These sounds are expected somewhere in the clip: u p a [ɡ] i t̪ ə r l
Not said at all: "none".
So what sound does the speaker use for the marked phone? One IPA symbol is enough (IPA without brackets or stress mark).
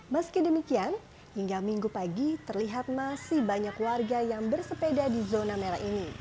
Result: ɡ